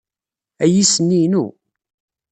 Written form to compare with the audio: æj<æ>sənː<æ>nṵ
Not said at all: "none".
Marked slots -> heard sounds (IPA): i, i

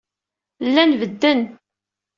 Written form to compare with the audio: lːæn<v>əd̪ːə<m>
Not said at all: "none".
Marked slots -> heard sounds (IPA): v, n

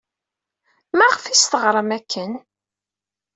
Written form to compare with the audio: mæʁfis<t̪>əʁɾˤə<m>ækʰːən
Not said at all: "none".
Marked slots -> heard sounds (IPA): t̪, m

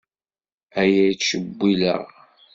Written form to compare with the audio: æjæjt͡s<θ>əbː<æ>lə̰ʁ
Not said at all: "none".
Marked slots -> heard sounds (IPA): ʃ, i

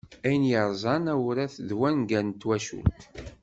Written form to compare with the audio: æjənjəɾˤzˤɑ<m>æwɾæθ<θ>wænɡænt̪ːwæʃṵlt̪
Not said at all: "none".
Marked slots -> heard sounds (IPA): n, ð

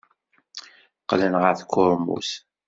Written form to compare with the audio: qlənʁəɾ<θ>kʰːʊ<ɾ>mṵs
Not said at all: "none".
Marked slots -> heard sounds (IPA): θ, ɾ

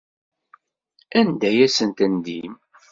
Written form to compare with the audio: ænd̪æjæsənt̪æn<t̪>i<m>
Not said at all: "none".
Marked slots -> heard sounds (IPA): d̪, m

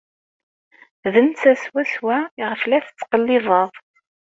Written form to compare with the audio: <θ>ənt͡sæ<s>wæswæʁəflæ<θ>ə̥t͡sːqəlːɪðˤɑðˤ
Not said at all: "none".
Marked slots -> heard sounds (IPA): ð, s, θ

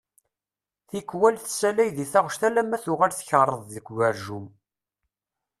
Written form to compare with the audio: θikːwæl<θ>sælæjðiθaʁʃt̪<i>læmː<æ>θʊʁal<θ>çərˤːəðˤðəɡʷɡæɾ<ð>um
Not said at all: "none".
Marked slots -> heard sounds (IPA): θ, æ, æ, θ, ʒ

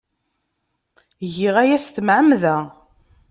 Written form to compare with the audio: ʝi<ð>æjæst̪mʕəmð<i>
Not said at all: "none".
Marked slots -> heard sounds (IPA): ʁ, æ

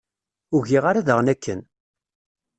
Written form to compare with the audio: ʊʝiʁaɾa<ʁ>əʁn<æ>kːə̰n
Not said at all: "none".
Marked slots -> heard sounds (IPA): ð, æ

